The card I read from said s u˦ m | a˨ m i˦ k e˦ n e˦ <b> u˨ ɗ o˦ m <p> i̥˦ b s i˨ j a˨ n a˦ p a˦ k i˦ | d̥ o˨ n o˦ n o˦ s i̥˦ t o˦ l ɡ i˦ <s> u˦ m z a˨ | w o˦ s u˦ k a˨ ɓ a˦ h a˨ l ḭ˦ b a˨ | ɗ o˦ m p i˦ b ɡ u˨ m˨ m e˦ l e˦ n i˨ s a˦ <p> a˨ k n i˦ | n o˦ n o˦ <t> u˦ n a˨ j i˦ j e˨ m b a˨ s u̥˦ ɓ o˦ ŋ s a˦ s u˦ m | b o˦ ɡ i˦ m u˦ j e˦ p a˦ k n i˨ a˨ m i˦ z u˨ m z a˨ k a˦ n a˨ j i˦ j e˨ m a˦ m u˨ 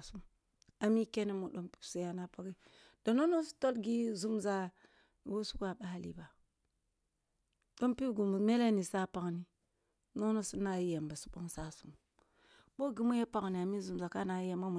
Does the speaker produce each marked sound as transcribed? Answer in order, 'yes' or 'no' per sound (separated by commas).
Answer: no, yes, no, yes, no